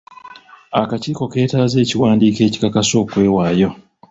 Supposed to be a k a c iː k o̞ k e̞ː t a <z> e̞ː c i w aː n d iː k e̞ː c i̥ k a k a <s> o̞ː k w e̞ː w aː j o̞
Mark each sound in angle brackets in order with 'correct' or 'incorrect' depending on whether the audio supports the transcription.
correct, correct

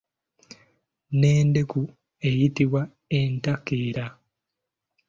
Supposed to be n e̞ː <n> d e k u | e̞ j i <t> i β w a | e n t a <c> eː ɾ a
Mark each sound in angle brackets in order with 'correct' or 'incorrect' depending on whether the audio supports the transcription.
correct, correct, incorrect: k

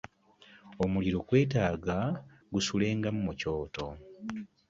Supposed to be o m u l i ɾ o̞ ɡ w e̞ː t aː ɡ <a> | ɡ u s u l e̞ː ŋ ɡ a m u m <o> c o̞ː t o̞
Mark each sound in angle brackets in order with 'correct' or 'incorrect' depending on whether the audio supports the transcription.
correct, incorrect: u

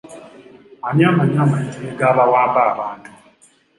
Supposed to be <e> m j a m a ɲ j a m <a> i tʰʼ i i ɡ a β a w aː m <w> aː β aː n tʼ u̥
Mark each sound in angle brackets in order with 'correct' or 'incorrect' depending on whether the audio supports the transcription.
incorrect: a, correct, incorrect: b

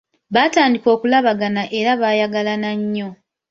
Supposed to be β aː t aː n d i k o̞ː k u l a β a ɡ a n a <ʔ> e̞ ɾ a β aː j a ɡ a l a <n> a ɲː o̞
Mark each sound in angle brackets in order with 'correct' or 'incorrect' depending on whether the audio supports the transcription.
correct, correct

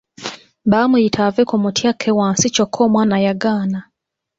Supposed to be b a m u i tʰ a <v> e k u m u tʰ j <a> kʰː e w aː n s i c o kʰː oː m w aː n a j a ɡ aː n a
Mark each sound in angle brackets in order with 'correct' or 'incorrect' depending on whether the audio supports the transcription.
correct, correct

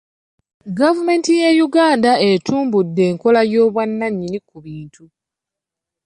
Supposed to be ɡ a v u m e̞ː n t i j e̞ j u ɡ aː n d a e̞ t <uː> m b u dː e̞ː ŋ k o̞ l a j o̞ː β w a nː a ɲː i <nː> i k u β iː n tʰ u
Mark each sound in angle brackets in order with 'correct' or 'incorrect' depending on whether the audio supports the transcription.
correct, incorrect: n

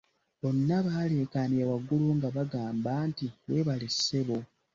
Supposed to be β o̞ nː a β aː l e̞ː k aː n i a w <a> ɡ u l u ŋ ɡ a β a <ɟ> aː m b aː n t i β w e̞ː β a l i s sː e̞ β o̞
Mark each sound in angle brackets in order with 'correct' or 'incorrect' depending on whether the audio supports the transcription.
correct, incorrect: ɡ

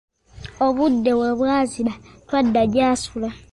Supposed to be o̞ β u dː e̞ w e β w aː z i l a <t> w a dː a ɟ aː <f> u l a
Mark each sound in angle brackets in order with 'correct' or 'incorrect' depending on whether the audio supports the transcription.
correct, incorrect: s

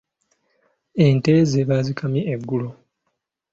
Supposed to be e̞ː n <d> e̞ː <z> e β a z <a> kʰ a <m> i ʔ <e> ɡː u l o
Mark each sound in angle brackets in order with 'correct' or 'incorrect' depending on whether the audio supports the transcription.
incorrect: t, correct, incorrect: i, correct, correct

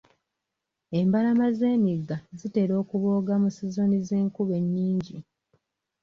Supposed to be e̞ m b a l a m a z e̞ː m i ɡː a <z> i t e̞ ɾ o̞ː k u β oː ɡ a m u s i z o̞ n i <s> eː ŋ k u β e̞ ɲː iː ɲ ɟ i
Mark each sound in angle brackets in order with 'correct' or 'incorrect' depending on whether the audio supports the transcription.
correct, incorrect: z

